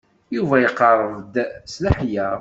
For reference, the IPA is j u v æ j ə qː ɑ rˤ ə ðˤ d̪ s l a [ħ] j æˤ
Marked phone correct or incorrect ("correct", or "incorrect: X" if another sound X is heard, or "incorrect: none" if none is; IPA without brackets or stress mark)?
correct